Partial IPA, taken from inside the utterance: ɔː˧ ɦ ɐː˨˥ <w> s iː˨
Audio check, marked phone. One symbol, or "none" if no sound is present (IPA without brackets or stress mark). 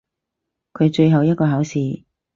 w